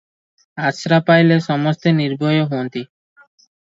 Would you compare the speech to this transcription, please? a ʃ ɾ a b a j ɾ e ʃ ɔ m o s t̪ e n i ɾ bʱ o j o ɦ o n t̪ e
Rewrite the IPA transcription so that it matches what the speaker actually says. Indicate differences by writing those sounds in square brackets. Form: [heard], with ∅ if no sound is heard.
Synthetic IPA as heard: a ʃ ɾ a [p] a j [l] e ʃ ɔ m o s t̪ e n i ɾ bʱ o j o ɦ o n t̪ [i]